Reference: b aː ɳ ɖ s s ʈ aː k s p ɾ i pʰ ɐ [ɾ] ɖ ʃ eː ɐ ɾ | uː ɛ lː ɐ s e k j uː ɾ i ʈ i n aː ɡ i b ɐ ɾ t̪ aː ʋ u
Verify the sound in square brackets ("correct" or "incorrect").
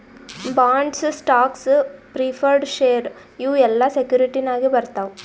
correct